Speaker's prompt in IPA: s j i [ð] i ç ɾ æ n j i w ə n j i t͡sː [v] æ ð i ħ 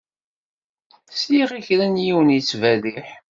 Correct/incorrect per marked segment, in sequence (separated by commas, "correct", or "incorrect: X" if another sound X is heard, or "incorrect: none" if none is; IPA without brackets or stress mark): incorrect: ʁ, correct